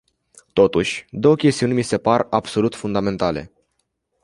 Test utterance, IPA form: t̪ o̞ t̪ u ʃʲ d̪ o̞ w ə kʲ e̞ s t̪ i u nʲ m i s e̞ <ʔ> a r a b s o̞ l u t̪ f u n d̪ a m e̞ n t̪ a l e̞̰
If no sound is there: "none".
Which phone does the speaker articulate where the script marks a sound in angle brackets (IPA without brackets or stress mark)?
p